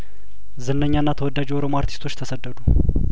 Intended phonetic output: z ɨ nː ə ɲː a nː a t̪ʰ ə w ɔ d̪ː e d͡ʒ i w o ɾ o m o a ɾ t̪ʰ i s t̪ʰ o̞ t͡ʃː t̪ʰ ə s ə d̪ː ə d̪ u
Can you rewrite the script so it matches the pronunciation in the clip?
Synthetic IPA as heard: z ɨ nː ə ɲː a nː a t̪ʰ ə w ɔ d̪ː a d͡ʒ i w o ɾ o m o a ɾ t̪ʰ i s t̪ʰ o̞ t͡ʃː t̪ʰ ə s ə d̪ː ə d̪ u